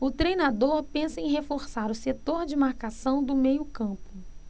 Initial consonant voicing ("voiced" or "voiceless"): voiceless